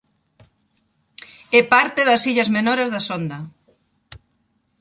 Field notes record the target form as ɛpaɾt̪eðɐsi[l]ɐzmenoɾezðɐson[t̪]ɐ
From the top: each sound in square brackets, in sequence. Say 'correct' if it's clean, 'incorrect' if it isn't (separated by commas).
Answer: incorrect, incorrect